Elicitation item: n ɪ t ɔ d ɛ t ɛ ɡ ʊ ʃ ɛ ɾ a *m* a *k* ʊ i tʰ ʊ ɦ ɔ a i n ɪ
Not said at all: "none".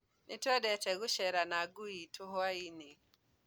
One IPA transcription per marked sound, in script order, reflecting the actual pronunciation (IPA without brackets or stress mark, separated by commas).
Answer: n, ɡ